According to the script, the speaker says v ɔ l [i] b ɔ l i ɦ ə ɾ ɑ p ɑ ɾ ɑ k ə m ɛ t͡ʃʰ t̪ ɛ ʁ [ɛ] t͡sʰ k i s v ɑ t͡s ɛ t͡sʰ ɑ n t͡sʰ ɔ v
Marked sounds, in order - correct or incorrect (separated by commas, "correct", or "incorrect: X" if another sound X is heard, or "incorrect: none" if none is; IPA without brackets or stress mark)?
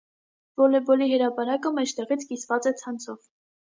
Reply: incorrect: ɛ, incorrect: i